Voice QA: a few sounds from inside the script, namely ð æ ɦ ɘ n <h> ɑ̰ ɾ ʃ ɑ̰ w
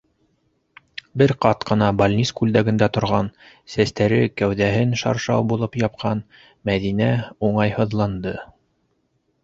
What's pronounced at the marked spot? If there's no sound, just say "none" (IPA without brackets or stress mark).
ʃ